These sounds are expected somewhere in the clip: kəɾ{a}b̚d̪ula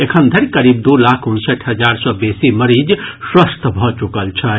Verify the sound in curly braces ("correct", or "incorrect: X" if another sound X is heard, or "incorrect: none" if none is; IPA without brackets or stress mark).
incorrect: i